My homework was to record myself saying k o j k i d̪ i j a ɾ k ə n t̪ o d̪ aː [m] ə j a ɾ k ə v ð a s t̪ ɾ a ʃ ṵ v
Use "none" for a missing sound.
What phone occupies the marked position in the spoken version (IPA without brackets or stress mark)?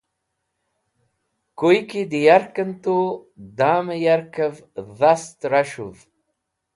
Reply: m